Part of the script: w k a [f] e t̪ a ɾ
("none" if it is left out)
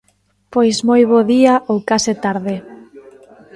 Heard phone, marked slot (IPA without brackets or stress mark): s